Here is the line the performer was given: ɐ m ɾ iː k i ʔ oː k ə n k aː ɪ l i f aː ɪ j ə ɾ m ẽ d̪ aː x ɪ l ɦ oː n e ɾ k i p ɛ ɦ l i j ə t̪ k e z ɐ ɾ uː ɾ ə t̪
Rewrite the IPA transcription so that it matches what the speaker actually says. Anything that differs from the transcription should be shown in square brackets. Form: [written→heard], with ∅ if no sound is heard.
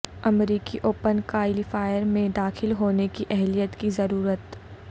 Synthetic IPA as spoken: ɐ m ɾ iː k i ʔ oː [k→p] ə n k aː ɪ l i f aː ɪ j ə ɾ m ẽ d̪ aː x ɪ l ɦ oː n e [ɾ→∅] k i [p→ʔ] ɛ ɦ l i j ə t̪ k [e→i] z ɐ ɾ uː ɾ ə t̪